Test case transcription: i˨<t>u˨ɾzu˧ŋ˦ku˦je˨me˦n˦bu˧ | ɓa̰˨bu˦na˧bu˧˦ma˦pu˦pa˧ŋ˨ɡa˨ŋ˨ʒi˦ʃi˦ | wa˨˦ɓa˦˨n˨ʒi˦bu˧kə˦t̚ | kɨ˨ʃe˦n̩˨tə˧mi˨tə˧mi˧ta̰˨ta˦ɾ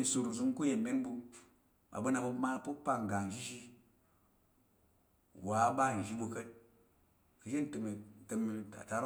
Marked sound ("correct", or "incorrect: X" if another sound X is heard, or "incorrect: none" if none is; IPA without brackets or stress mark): incorrect: s